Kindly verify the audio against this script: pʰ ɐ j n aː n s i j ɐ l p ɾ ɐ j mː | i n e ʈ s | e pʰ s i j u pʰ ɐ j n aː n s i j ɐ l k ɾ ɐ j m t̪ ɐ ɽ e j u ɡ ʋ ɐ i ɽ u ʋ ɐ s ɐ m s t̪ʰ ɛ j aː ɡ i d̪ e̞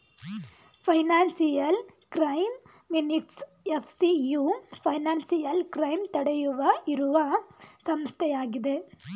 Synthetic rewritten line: pʰ ɐ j n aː n s i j ɐ l k ɾ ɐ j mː | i n i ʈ s | e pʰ s i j u pʰ ɐ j n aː n s i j ɐ l k ɾ ɐ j m t̪ ɐ ɽ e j u ʋ ɐ i ɾ u ʋ ɐ s ɐ m s t̪ʰ ɛ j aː ɡ i d̪ e̞